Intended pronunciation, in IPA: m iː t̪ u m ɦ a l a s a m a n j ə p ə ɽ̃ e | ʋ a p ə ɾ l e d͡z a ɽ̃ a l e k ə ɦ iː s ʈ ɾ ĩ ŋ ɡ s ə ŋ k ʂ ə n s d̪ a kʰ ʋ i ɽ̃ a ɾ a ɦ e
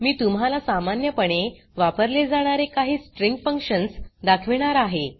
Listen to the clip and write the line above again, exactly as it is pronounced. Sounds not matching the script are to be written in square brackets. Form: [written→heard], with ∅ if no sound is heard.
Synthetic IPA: m iː t̪ u m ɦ a l a s a m a n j ə p ə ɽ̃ e | ʋ a p ə ɾ l e d͡z a ɽ̃ a [l→ɾ] e k [ə→a] ɦ iː s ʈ ɾ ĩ ŋ ɡ [s→f] ə ŋ k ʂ ə n s d̪ a kʰ ʋ i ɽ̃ a ɾ a ɦ e